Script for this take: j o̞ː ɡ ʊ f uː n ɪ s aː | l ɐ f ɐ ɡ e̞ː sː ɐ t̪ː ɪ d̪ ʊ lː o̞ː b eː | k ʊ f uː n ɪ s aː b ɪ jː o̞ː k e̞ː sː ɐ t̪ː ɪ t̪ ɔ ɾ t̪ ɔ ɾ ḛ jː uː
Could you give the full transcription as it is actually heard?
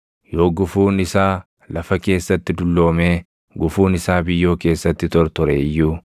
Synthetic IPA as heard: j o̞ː ɡ ʊ f uː n ɪ s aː | l ɐ f ɐ k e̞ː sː ɐ t̪ː ɪ d̪ ʊ lː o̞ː m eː | ɡ ʊ f uː n ɪ s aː b ɪ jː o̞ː k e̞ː sː ɐ t̪ː ɪ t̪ ɔ ɾ t̪ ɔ ɾ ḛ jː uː